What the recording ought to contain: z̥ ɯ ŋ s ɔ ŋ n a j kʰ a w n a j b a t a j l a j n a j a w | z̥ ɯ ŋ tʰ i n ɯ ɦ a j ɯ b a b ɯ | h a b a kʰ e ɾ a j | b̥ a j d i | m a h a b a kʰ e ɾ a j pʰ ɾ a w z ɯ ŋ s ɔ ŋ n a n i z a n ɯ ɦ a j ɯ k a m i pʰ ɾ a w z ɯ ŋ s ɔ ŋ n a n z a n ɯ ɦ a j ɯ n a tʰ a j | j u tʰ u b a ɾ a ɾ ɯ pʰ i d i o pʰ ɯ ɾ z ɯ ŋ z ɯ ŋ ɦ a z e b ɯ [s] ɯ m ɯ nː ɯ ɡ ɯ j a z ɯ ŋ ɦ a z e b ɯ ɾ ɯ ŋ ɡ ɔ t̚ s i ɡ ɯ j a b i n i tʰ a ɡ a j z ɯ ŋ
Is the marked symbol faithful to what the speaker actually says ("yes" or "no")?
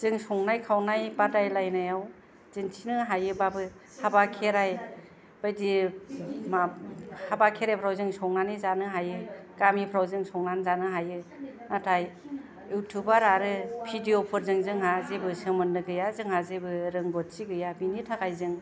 yes